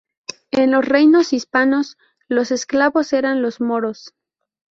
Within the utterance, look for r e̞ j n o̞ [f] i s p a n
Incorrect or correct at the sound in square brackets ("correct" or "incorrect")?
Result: incorrect